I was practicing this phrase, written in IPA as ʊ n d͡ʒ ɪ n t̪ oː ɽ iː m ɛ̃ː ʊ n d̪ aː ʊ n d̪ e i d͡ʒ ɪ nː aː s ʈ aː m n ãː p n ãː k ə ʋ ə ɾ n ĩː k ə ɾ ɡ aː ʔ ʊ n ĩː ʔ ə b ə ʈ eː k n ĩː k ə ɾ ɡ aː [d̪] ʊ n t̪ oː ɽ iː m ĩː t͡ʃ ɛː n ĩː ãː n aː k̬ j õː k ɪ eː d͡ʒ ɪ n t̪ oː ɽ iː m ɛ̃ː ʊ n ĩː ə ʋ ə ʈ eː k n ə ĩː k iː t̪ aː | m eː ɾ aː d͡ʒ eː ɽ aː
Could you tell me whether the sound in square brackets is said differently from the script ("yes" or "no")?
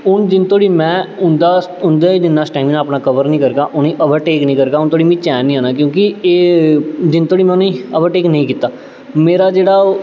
yes